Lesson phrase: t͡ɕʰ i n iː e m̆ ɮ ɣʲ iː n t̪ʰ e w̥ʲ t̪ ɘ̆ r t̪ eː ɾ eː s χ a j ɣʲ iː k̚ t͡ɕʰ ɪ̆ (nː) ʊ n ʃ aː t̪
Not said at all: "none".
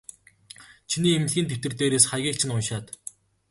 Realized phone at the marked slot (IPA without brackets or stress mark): n